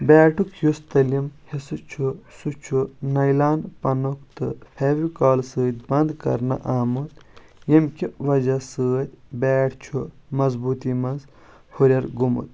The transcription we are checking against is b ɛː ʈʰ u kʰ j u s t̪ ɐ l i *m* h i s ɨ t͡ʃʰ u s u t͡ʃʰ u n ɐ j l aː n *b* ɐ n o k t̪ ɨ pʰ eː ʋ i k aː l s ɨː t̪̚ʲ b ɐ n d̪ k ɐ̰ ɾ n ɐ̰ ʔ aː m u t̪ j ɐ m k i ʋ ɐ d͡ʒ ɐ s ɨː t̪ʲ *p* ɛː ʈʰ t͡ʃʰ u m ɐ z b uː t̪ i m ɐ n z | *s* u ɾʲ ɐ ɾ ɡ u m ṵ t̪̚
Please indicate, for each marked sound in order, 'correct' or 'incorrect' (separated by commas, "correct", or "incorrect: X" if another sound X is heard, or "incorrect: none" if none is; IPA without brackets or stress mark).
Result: correct, incorrect: p, incorrect: b, incorrect: h